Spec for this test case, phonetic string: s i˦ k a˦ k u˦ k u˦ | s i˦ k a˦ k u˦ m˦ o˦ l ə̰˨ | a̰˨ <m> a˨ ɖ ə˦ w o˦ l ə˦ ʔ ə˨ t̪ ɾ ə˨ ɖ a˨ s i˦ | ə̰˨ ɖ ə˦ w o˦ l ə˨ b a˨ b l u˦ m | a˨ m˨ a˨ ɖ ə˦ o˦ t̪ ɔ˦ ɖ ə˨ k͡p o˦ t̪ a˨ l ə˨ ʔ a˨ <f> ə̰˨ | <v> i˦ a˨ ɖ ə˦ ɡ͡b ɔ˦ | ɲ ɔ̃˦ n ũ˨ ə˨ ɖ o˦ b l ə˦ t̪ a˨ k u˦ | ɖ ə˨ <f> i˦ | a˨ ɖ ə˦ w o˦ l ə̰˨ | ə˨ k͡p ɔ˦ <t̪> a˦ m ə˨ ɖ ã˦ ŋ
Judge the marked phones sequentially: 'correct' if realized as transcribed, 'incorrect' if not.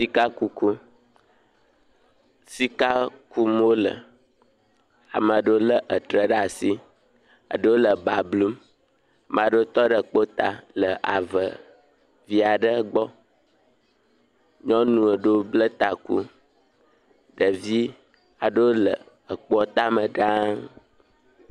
correct, incorrect, correct, incorrect, correct

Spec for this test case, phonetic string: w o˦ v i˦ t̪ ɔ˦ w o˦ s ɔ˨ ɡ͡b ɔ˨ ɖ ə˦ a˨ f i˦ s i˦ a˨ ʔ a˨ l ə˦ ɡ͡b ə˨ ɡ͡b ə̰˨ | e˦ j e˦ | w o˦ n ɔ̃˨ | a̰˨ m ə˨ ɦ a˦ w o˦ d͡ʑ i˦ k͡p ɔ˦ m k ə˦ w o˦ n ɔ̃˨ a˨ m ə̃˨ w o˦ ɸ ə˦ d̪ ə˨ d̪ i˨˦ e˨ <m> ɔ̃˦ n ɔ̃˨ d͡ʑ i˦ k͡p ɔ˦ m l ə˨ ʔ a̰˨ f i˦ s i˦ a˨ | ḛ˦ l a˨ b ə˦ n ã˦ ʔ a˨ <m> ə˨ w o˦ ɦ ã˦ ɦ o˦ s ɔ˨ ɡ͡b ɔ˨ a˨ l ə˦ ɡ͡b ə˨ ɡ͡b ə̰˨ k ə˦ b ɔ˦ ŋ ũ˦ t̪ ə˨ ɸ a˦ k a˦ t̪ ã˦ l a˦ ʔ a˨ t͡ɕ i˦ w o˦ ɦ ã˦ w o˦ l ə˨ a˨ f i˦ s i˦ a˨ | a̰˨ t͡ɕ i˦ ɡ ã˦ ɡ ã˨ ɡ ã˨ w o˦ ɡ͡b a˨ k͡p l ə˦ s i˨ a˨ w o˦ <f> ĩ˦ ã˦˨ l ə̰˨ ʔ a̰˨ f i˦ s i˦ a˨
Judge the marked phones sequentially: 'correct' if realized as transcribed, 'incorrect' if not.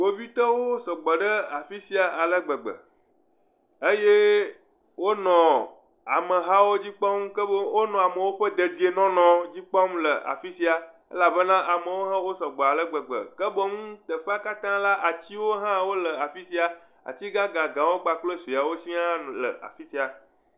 incorrect, correct, incorrect

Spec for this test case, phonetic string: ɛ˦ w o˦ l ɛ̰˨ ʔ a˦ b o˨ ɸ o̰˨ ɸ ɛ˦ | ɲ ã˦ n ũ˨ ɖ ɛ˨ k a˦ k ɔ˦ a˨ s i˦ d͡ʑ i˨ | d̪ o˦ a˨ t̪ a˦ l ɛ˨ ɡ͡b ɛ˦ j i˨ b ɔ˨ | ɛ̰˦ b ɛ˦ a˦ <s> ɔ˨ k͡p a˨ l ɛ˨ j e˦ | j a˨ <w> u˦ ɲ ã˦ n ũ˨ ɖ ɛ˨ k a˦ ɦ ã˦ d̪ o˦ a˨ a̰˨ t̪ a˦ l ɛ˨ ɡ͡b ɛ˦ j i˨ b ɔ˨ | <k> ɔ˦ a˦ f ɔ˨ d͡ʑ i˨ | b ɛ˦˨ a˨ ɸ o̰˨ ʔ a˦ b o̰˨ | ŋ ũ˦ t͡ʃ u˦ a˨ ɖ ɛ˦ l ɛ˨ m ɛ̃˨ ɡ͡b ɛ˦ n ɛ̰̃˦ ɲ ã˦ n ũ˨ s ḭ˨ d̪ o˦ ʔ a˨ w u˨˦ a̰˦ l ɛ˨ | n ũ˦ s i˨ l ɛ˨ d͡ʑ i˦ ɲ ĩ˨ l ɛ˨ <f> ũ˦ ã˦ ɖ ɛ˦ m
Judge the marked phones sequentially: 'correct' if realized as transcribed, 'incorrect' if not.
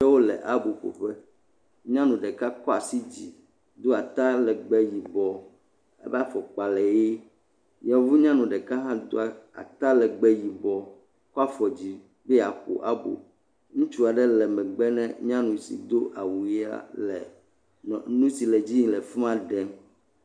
incorrect, incorrect, correct, correct

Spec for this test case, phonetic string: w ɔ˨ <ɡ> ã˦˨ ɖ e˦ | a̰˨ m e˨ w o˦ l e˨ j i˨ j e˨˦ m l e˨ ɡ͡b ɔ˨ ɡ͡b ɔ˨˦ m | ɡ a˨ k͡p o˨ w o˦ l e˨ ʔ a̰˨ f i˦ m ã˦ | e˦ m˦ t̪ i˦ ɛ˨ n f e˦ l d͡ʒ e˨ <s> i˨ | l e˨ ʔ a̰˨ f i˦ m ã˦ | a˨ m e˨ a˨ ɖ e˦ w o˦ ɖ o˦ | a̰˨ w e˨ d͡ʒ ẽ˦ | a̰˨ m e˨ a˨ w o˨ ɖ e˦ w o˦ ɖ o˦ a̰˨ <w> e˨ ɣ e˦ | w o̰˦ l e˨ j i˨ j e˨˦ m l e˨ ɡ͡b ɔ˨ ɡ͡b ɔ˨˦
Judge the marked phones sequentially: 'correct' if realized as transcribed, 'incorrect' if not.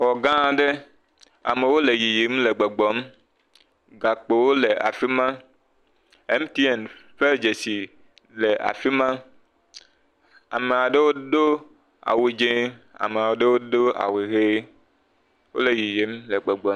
correct, correct, correct

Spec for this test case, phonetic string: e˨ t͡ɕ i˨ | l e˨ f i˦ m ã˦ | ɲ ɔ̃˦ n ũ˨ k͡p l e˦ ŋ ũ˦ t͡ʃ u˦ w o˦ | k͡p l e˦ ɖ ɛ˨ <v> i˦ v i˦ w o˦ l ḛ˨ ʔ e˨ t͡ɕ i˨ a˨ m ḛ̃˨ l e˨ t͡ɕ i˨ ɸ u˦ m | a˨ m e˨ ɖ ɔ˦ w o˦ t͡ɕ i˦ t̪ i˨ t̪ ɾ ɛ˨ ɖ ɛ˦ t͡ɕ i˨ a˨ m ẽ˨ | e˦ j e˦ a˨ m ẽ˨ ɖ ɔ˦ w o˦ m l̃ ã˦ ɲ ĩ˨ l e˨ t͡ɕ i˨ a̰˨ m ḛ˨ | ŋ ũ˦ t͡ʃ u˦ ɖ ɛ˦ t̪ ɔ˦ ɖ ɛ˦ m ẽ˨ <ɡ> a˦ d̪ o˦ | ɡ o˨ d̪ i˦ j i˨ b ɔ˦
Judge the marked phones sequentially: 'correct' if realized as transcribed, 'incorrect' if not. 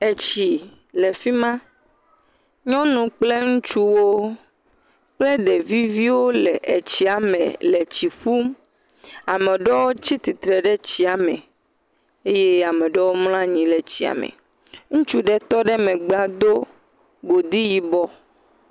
correct, incorrect

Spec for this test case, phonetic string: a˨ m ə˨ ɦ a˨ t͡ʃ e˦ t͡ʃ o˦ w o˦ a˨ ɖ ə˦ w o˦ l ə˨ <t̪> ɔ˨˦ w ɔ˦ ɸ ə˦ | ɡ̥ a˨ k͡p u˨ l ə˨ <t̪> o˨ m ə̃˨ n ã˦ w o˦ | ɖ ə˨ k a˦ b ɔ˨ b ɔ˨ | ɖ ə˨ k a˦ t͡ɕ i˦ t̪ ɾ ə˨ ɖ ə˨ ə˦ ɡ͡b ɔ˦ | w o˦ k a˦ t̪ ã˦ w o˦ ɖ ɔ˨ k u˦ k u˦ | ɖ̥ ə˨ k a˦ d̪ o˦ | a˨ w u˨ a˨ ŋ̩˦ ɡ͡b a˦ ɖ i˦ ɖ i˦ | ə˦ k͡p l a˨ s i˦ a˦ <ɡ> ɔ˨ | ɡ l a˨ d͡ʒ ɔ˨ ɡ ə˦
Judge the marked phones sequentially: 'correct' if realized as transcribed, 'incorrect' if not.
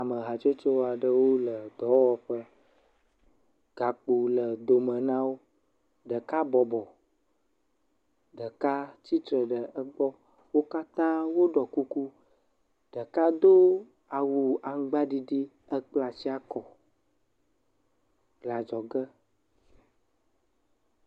incorrect, incorrect, incorrect

